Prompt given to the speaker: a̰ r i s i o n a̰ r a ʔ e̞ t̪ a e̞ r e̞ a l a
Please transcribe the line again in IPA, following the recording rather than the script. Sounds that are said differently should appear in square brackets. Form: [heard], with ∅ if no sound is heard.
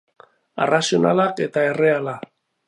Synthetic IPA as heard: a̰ r [a] s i o n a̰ [l] a [k] e̞ t̪ a e̞ r e̞ a l a